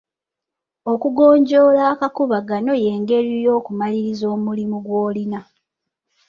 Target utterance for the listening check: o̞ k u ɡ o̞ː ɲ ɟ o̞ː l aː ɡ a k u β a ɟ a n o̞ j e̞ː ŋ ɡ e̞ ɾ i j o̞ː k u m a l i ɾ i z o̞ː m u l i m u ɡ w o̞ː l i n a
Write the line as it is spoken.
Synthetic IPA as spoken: o̞ k u ɡ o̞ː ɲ ɟ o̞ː l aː k a k u β a ɡ a n o̞ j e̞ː ŋ ɡ e̞ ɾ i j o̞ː k u m a l i ɾ i z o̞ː m u l i m u ɡ w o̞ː l i n a